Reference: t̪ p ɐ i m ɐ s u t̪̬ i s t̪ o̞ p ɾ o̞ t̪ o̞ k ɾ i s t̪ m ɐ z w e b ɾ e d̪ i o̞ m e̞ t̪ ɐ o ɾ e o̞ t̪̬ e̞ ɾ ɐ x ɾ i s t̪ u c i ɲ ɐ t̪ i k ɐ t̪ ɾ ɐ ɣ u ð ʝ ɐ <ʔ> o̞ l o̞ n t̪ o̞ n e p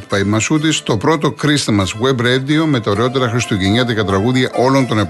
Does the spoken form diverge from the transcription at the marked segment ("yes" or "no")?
no